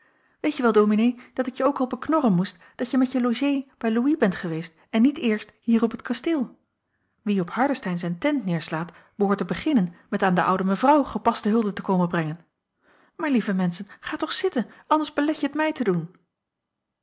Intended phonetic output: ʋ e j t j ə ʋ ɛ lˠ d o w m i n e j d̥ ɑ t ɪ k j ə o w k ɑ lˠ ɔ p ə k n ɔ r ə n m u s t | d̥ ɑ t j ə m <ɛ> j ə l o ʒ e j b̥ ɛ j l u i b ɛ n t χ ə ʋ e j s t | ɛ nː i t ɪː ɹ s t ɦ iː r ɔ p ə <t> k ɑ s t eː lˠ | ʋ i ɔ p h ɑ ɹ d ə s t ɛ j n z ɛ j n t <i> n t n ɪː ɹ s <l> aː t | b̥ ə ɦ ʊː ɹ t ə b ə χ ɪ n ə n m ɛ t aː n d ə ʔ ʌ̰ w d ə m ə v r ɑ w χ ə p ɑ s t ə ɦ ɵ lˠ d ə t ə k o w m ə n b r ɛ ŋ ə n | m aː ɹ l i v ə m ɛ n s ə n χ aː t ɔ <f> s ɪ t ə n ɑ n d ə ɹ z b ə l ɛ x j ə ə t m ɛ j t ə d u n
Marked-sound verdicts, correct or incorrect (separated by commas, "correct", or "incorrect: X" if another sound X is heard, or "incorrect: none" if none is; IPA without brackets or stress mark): correct, correct, incorrect: ɛ, correct, incorrect: χ